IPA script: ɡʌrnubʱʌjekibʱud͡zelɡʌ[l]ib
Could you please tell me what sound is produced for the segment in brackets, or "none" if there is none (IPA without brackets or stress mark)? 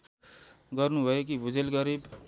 ɾ